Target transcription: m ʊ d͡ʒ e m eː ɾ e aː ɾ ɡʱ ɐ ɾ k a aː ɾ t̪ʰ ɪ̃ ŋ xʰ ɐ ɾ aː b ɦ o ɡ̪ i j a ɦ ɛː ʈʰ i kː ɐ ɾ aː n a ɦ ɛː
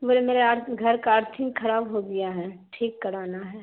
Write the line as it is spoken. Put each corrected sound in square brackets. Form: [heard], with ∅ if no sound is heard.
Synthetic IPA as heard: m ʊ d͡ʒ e m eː ɾ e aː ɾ ɡʱ ɐ ɾ k a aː ɾ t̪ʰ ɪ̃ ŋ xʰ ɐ ɾ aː b ɦ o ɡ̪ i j a ɦ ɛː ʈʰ [iː] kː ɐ ɾ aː n a ɦ ɛː